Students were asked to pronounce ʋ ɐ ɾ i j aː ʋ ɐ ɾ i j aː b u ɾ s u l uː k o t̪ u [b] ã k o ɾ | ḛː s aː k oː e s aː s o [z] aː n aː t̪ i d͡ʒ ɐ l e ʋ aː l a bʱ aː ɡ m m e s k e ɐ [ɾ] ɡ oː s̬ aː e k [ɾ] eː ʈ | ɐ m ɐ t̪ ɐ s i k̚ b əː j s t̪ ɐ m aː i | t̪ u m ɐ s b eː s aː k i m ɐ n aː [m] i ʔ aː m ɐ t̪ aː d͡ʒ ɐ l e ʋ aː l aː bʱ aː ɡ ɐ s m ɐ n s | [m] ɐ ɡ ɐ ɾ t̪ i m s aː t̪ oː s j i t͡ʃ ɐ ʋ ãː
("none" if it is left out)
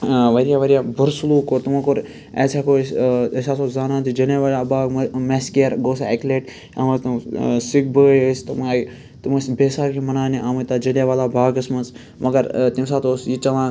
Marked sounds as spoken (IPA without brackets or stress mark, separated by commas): m, z, ɾ, l, n, m